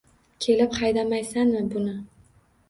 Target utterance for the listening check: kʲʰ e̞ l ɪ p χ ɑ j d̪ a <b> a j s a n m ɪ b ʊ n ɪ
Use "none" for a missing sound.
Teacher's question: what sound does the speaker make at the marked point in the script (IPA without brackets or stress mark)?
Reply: m